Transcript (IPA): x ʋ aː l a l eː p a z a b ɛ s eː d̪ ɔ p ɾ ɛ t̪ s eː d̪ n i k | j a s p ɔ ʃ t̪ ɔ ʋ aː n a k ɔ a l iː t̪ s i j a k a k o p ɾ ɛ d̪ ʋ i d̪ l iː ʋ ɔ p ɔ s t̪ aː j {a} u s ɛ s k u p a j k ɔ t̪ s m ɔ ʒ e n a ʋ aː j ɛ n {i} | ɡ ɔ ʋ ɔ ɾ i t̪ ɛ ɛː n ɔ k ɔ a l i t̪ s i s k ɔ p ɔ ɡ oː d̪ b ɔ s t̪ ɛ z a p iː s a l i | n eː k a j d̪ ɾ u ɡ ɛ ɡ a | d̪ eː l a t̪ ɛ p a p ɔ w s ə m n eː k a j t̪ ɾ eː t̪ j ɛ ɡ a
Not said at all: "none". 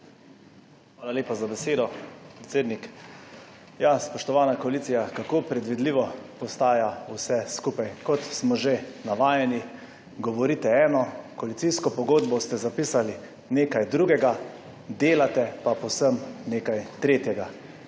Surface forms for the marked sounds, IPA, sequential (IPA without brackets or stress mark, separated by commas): a, i